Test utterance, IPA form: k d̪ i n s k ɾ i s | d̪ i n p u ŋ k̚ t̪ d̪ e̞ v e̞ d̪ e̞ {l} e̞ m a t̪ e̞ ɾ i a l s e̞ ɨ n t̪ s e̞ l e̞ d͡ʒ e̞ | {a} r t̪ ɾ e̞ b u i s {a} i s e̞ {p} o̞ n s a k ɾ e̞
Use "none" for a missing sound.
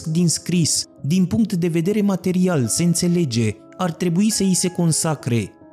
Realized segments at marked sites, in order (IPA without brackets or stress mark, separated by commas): ɾ, a, ə, k